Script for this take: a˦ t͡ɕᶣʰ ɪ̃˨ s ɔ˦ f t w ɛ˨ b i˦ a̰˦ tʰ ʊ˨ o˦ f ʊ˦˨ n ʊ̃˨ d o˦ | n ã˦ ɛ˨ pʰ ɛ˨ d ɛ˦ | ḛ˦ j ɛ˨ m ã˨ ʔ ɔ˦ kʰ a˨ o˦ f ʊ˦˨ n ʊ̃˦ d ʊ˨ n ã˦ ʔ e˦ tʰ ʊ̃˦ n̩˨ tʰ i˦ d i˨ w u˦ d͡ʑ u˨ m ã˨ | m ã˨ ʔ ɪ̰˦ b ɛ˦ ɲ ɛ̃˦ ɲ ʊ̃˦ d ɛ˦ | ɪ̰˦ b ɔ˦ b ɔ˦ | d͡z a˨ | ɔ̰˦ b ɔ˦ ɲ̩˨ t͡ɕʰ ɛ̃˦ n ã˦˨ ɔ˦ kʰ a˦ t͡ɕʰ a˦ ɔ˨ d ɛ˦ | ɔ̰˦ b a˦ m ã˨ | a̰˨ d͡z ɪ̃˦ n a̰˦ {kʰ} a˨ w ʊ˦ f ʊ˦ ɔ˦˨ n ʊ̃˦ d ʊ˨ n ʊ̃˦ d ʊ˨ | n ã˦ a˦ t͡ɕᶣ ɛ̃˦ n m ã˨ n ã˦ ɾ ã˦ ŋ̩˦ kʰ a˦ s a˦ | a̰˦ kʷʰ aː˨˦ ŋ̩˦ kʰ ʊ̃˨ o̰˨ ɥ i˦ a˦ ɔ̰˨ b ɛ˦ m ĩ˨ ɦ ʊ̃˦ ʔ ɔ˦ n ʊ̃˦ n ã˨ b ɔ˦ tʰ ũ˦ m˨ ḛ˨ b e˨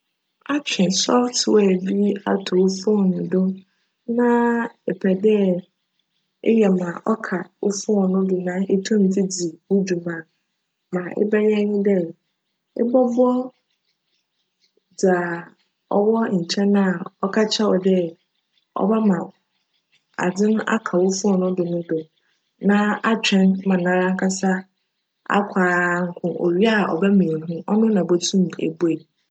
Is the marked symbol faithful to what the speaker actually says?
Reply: yes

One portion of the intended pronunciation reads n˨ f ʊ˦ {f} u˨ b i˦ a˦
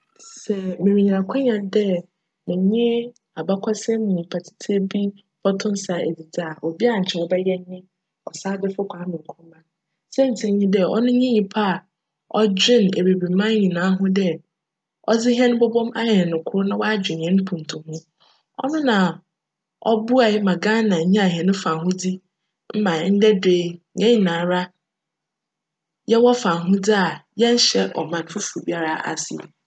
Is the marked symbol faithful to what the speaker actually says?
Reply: yes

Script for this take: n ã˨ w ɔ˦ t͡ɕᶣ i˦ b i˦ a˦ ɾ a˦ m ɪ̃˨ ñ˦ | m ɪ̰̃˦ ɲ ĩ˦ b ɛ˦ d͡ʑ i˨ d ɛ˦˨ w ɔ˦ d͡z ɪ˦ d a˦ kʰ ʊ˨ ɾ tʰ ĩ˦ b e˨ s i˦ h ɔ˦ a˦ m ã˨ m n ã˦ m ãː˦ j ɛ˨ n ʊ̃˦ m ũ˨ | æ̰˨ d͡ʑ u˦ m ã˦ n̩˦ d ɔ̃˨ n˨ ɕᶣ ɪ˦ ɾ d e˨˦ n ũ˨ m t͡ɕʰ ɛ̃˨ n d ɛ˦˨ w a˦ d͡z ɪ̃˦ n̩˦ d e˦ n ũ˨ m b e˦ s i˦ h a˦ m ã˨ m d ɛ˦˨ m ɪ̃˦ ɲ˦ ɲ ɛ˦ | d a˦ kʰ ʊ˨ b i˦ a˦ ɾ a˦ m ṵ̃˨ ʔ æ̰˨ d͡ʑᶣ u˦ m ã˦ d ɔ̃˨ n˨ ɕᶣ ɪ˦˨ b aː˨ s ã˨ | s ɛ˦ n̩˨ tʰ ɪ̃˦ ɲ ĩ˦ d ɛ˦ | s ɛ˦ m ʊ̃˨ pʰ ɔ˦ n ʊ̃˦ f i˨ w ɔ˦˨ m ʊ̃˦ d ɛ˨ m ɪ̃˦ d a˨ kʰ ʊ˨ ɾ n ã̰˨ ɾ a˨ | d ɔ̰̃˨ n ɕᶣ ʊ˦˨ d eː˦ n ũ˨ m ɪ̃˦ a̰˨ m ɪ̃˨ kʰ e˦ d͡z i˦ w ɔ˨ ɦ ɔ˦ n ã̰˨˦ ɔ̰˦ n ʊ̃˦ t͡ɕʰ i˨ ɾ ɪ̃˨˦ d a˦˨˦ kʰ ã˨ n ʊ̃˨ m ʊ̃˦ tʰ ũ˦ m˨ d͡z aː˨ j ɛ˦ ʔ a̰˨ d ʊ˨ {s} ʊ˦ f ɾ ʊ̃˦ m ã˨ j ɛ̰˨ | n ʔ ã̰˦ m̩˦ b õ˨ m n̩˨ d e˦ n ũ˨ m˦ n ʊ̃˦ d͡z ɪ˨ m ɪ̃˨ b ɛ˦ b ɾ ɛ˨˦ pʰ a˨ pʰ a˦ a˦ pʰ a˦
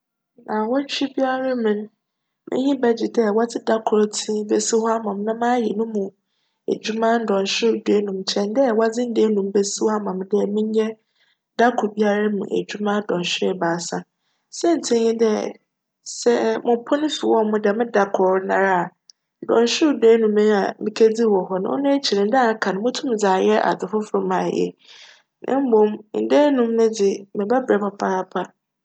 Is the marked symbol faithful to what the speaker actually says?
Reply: no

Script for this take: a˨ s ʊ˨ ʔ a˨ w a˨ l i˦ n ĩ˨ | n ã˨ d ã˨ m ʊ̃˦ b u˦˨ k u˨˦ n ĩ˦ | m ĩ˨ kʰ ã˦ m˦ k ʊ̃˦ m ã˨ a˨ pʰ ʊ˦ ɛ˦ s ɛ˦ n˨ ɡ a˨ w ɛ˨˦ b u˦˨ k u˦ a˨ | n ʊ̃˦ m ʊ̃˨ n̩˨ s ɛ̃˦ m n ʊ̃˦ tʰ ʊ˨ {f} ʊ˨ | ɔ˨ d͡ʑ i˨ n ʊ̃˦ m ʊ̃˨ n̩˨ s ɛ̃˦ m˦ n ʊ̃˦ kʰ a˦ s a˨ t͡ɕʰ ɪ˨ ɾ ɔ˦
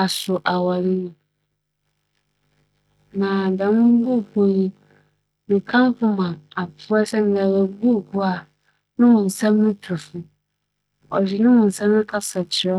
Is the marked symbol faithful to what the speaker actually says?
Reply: yes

